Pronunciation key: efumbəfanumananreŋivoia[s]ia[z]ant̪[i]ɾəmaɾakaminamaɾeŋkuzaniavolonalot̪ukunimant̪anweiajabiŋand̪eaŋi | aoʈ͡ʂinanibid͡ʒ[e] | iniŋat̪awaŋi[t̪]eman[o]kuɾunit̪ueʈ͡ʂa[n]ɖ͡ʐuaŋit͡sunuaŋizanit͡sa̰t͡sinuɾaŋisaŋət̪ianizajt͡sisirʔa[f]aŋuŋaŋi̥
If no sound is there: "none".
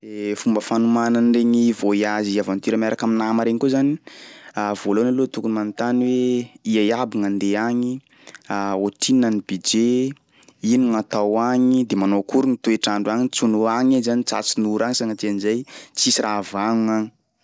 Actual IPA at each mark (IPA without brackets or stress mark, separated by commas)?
z, v, i, e, d̪, o, ɳ, v